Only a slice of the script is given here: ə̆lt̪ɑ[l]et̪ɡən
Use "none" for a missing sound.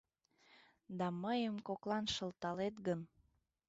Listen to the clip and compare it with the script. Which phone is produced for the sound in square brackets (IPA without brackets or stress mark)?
l